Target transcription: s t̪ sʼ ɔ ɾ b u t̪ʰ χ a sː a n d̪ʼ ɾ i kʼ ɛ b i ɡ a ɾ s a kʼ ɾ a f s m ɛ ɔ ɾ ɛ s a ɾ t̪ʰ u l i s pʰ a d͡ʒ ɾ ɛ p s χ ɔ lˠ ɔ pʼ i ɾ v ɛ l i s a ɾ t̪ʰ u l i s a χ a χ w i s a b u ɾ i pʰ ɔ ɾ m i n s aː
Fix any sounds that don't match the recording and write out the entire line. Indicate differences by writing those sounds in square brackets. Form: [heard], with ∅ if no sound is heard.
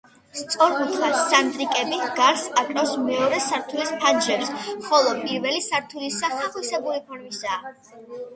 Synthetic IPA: s t̪ sʼ ɔ ɾ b u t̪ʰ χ a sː a n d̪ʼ ɾ i kʼ ɛ b i ɡ a ɾ s a kʼ ɾ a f s m ɛ ɔ ɾ ɛ s a ɾ t̪ʰ u l i s pʰ a d͡ʒ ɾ ɛ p s χ ɔ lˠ ɔ pʼ i ɾ v ɛ l i s a ɾ t̪ʰ u l i s a χ a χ w i s [ɛ] b u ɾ i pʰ ɔ ɾ m i [∅] s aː